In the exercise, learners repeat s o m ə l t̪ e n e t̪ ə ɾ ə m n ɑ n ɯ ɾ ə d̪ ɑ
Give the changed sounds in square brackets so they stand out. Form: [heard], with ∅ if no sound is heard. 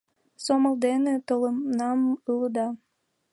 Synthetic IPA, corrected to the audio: s o m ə l [d̪] e n e t̪ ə [l] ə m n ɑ [m] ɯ [l] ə d̪ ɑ

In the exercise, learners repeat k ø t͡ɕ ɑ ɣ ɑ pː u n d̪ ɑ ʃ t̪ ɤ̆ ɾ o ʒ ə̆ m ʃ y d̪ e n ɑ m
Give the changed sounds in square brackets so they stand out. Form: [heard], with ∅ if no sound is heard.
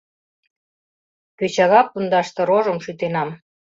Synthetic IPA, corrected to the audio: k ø t͡ɕ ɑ ɣ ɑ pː u n d̪ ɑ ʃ t̪ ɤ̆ ɾ o ʒ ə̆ m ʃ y [t̪] e n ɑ m

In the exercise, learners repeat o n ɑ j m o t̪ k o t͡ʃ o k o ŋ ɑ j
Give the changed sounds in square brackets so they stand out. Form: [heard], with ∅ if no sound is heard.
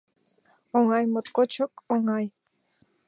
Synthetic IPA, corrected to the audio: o [ŋ] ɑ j m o t̪ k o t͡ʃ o k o ŋ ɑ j

